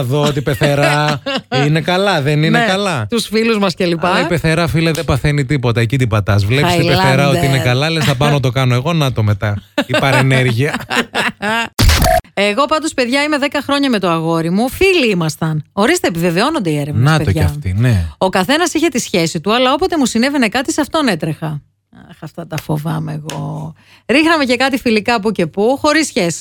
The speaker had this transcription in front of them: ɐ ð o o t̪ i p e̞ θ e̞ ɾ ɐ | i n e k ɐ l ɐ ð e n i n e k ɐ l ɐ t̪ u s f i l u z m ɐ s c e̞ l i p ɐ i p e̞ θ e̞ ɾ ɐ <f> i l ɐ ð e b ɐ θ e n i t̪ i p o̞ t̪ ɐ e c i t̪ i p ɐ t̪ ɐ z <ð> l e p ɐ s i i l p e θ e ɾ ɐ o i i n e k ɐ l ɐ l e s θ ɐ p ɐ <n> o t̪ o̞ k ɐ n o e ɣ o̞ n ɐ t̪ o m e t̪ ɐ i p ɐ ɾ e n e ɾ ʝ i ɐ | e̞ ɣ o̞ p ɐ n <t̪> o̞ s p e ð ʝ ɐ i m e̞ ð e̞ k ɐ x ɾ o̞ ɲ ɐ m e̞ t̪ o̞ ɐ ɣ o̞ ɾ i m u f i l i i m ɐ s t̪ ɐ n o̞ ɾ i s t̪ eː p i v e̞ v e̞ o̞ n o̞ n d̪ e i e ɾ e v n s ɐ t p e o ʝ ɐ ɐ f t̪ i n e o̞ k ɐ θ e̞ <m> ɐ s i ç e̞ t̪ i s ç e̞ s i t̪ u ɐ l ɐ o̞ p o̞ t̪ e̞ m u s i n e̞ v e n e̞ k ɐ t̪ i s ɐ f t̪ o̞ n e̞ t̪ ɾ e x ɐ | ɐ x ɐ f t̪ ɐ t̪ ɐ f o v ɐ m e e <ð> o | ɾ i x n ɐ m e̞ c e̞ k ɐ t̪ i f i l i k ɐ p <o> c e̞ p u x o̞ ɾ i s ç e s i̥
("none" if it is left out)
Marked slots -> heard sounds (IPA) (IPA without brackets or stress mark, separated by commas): f, v, n, d̪, n, ɣ, u